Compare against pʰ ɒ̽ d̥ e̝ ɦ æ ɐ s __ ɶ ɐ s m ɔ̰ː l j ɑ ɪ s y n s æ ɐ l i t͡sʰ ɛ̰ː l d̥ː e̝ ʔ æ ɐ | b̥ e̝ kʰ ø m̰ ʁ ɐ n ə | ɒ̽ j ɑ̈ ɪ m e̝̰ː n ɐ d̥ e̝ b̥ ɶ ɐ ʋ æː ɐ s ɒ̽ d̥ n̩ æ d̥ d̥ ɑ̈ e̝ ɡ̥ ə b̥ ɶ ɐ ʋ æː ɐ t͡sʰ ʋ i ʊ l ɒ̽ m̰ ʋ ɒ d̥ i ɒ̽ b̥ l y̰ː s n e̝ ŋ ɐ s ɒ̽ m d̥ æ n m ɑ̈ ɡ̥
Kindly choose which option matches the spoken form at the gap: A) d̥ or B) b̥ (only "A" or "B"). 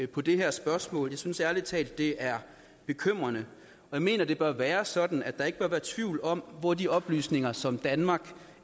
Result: B